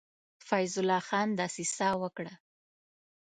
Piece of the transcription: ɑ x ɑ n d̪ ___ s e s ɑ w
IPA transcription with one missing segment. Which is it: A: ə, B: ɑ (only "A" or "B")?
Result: B